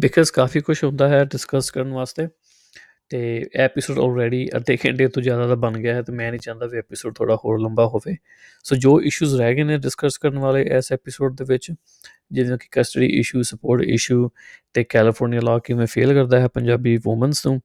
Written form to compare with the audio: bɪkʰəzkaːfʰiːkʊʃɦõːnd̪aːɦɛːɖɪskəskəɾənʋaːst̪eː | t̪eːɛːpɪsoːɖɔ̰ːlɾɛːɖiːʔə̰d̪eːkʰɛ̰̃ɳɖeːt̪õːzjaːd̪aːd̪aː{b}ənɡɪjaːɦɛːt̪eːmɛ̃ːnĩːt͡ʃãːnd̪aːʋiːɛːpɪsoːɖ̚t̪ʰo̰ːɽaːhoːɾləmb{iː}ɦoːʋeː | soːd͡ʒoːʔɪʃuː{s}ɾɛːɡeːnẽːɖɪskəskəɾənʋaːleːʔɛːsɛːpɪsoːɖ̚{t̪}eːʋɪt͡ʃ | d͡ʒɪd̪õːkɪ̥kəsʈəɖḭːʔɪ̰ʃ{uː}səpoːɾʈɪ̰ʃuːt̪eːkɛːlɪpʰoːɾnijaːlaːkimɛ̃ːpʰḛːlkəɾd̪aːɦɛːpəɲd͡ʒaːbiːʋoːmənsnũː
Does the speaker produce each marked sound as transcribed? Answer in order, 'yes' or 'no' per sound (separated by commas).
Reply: yes, no, no, no, yes